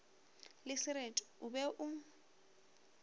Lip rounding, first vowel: unrounded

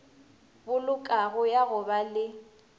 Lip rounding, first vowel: rounded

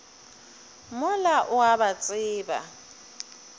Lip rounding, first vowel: rounded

